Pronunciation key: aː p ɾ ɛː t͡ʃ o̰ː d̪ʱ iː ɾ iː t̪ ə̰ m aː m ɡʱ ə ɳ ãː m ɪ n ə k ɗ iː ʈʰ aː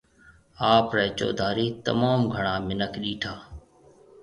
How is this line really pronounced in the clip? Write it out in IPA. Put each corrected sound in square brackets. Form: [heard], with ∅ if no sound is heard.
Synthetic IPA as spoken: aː p ɾ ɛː t͡ʃ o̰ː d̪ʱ [aː] ɾ iː t̪ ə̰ m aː m ɡʱ ə ɳ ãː m ɪ n ə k ɗ iː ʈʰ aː